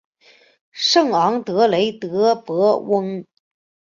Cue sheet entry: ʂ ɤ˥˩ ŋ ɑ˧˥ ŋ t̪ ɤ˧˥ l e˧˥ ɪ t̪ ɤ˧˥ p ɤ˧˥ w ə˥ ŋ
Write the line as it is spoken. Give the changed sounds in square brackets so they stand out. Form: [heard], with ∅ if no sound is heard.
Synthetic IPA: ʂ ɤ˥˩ ŋ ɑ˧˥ ŋ t̪ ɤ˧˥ l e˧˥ ɪ t̪ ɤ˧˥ p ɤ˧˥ w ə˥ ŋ